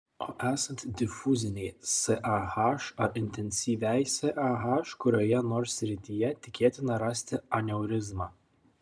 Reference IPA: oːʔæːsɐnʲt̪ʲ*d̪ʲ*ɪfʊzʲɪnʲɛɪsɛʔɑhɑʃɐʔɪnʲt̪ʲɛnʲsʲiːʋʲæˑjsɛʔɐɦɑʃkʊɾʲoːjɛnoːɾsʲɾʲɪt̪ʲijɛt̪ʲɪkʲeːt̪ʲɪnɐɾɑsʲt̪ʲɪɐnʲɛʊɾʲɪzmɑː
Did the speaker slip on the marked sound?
no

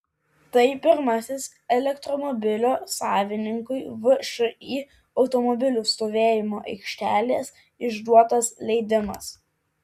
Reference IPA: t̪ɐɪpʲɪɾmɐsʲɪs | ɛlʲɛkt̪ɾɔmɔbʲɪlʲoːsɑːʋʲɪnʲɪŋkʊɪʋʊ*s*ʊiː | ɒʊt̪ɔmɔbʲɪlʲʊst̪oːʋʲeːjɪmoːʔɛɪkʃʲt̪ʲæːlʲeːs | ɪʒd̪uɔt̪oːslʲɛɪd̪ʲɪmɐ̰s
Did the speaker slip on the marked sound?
yes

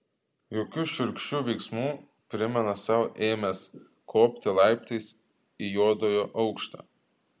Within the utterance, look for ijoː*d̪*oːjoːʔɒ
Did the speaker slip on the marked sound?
no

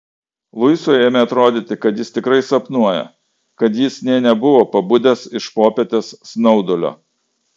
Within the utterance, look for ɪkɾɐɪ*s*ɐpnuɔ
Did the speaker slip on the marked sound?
no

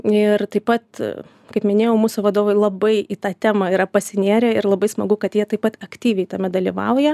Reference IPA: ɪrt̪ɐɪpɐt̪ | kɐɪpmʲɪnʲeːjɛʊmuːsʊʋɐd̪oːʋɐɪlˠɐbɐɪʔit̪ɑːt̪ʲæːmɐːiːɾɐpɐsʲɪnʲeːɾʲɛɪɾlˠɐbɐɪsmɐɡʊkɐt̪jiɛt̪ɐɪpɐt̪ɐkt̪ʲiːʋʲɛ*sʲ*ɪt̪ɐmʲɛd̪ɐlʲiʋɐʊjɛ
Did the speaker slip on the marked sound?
yes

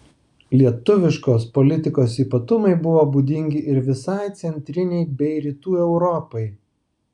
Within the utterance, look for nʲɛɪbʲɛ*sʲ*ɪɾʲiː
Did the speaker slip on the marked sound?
yes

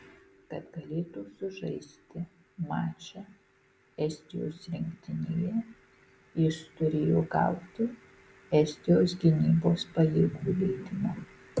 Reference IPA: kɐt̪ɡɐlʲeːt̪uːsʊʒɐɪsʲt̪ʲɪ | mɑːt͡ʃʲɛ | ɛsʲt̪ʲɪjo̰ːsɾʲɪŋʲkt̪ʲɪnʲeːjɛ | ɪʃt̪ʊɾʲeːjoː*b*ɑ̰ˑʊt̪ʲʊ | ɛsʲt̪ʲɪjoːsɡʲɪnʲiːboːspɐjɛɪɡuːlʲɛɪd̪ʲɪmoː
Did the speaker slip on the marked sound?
yes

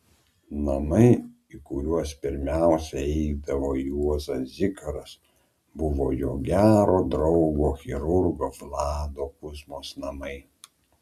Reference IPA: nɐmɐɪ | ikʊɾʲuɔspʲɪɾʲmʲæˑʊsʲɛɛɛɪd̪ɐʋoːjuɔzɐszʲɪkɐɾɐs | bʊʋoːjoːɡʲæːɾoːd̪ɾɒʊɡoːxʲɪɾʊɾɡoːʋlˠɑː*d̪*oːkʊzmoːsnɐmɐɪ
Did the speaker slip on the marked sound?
no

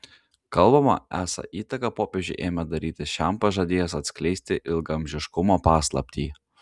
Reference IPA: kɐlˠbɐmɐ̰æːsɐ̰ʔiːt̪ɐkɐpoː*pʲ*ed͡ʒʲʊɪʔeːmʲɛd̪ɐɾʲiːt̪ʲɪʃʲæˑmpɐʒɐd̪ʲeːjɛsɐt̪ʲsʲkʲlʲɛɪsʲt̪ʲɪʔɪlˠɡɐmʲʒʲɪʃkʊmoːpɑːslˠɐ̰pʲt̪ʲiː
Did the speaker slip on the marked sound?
no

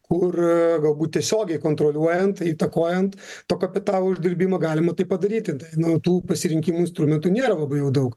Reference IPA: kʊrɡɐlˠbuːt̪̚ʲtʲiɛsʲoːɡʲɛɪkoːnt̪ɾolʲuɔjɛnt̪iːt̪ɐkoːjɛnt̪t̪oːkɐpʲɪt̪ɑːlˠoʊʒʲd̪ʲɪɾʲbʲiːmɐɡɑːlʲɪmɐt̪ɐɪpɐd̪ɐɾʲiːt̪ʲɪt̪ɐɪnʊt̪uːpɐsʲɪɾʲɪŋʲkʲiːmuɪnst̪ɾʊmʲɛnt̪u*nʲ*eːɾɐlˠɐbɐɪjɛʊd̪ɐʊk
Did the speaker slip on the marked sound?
no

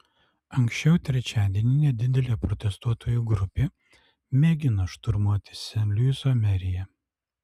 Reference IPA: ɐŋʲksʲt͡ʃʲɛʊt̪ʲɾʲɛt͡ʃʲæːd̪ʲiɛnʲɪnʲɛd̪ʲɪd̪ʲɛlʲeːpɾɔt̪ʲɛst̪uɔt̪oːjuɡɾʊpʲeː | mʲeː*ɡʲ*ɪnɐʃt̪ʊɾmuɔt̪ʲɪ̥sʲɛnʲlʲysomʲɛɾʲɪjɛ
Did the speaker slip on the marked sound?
no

